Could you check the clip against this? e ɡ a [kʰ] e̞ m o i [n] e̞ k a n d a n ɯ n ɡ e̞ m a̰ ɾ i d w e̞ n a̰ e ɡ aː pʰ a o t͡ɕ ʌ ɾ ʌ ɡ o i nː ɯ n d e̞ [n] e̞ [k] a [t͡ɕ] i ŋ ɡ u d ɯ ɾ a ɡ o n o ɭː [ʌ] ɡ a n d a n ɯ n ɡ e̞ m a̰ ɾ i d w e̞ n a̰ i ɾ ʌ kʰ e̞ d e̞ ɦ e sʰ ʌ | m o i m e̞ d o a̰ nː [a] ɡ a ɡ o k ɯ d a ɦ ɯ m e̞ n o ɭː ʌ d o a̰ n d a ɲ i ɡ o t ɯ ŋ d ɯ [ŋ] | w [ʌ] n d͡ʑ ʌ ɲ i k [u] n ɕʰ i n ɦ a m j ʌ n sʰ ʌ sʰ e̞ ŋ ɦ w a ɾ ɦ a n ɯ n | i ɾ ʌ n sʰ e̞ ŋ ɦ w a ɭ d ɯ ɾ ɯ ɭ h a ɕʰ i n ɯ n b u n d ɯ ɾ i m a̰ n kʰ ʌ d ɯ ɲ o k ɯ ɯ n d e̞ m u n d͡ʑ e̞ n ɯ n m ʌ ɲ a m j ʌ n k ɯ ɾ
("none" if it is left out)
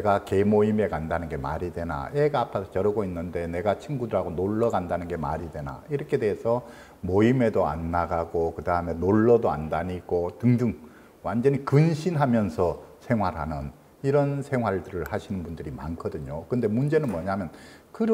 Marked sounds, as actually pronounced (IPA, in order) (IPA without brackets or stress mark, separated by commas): k, m, n, ɡ, t͡ɕʰ, ʌ, a, ŋ, a, ɯ